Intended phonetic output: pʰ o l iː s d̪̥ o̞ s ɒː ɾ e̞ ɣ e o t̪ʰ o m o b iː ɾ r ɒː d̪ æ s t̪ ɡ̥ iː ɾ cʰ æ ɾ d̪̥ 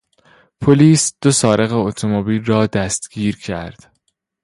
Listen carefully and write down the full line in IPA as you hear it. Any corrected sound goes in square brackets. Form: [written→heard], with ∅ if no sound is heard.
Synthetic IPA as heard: pʰ o l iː s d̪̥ o̞ s ɒː ɾ e̞ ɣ e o t̪ʰ o m o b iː [ɾ→l] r ɒː d̪ æ s t̪ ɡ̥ iː ɾ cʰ æ ɾ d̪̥